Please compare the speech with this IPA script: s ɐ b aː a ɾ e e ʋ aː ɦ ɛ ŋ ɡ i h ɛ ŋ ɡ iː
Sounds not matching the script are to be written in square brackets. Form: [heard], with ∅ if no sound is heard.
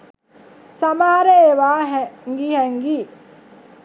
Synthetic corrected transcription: s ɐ [m] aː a ɾ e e ʋ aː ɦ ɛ ŋ ɡ i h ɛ ŋ ɡ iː